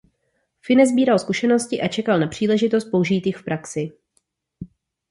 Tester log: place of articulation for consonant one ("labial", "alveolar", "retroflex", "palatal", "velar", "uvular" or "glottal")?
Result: labial